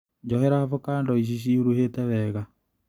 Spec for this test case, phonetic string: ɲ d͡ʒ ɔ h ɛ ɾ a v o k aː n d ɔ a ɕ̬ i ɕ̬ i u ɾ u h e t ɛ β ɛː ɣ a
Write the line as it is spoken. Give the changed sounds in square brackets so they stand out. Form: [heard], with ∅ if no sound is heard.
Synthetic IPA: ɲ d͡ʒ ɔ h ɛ ɾ a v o k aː n d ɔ [i] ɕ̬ i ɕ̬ i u ɾ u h e t ɛ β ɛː ɣ a